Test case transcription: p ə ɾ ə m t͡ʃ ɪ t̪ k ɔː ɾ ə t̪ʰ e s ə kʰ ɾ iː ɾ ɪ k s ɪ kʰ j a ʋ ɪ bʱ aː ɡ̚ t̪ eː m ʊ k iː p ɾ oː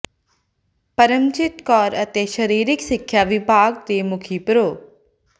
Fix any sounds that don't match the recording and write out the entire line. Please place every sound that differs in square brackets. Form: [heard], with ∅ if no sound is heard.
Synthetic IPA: p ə ɾ ə m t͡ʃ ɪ t̪ k ɔː ɾ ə [t̪] e [ʃ] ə [∅] ɾ iː ɾ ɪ k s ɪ kʰ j a ʋ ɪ bʱ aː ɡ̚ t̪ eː m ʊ [kʰ] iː p ɾ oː